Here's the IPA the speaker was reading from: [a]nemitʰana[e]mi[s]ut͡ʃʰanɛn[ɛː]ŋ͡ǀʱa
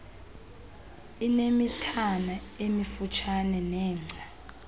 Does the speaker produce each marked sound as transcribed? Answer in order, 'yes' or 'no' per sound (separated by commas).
no, yes, no, yes